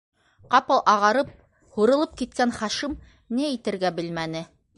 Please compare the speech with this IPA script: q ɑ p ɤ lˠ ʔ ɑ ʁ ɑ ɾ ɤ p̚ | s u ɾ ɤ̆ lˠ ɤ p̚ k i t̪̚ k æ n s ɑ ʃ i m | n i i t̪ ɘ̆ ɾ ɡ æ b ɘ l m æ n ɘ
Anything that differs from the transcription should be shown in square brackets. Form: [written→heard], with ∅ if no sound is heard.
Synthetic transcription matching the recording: q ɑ p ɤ lˠ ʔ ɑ ʁ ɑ ɾ ɤ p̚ | [s→h] u ɾ ɤ̆ lˠ ɤ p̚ k i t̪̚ k æ n [s→χ] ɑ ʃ i m | n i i t̪ ɘ̆ ɾ ɡ æ b ɘ l m æ n ɘ